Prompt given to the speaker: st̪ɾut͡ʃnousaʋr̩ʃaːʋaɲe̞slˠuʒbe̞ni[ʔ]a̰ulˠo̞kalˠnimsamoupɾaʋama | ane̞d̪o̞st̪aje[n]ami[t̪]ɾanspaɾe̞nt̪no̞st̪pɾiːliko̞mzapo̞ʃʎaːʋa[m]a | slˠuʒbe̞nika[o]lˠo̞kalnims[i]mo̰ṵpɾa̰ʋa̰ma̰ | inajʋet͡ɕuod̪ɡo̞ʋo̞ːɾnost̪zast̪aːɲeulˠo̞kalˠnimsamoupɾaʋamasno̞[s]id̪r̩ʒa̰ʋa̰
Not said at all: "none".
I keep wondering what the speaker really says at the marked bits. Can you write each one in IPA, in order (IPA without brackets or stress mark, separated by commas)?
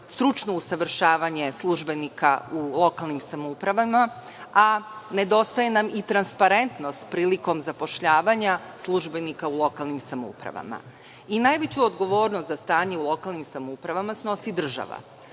k, n, t̪, ɲ, u, a, s